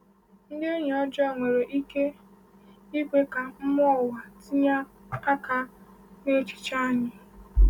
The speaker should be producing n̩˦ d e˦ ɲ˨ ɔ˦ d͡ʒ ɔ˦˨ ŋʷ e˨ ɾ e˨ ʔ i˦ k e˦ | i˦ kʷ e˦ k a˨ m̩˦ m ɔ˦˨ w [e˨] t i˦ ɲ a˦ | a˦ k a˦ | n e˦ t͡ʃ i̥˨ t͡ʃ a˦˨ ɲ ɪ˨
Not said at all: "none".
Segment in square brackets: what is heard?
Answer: a˨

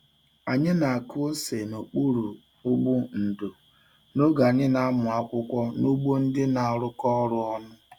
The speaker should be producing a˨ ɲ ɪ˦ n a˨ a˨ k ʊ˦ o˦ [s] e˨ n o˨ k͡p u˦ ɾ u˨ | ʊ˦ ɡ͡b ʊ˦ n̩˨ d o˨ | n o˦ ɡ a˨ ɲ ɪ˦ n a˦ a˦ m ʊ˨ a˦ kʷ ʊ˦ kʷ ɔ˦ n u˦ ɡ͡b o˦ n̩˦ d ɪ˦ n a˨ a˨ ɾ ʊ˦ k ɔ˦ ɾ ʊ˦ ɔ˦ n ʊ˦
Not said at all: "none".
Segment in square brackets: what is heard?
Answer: s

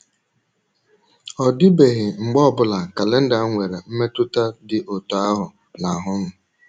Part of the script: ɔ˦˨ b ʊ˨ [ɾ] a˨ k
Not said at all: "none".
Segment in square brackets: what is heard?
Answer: l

